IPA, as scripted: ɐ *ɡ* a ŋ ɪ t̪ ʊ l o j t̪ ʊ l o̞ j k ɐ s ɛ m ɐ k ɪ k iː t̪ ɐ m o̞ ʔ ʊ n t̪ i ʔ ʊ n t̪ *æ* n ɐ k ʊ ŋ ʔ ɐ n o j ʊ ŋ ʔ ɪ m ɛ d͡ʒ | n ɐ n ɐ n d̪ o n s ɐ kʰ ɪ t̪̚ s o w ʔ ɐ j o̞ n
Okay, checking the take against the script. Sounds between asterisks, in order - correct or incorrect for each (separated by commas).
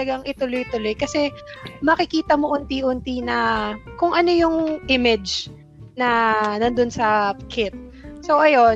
correct, incorrect